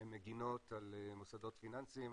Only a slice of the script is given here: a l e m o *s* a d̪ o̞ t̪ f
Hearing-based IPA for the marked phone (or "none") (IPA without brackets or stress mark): s